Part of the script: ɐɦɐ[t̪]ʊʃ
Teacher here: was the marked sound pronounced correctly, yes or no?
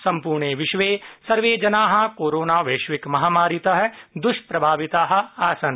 no